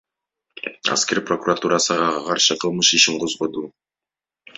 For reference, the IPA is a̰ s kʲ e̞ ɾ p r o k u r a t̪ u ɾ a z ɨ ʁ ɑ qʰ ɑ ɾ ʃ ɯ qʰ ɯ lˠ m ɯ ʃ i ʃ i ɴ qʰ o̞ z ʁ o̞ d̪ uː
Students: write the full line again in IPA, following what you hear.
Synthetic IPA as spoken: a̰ s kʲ e̞ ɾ p r o k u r a t̪ u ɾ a s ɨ ʁ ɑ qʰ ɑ ɾ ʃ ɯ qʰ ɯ lˠ m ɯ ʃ i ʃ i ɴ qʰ o̞ z ʁ o̞ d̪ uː